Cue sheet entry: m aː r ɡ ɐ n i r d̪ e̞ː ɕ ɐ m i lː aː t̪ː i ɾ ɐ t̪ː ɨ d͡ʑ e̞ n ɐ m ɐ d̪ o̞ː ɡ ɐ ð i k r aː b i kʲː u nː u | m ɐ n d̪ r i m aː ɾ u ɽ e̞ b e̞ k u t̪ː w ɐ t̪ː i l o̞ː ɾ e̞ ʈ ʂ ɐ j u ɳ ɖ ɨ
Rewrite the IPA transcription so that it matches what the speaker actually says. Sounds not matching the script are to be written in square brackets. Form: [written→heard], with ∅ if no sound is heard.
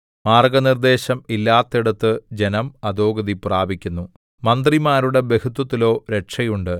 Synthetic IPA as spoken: m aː r ɡ ɐ n i r d̪ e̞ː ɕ ɐ m i lː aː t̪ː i [ɾ→ɽ] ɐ t̪ː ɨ d͡ʑ e̞ n ɐ m ɐ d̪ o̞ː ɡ ɐ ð i [k→p] r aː b i kʲː u nː u | m ɐ n d̪ r i m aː ɾ u ɽ e̞ b e̞ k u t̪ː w ɐ t̪ː i l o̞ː ɾ e̞ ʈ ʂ ɐ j u ɳ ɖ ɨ